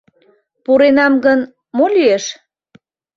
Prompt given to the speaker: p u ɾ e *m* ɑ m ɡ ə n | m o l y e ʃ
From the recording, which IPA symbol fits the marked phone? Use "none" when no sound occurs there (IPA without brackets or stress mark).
n